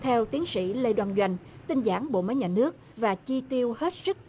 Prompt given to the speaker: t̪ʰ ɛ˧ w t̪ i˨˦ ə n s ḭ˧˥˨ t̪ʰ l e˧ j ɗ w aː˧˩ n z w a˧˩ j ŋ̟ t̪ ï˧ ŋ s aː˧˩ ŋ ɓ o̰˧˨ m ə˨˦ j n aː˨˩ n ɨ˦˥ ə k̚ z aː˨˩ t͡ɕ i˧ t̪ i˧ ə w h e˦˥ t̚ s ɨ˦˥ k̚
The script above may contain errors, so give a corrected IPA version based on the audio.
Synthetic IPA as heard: t̪ʰ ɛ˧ w t̪ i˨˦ ə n s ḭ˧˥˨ l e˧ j ɗ w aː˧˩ n z w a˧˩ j ŋ̟ t̪ ï˧ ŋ z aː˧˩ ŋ ɓ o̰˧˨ m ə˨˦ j ɲ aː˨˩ n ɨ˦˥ ə k̚ v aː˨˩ t͡ɕ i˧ t̪ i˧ ə w h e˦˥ t̚ s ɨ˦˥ k̚